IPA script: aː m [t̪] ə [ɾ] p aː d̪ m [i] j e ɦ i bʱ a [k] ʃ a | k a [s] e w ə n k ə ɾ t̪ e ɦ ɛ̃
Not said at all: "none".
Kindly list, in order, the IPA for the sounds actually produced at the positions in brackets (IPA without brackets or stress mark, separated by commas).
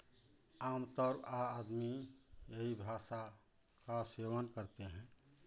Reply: t̪, ɾ, i, none, s